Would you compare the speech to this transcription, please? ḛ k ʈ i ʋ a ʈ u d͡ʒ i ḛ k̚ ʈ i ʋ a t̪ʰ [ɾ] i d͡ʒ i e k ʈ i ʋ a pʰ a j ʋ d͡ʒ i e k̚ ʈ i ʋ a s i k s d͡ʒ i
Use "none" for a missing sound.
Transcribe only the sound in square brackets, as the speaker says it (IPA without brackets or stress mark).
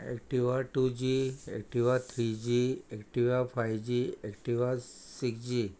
ɾ